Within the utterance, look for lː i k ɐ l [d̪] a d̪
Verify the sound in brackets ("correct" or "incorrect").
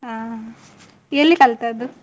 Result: incorrect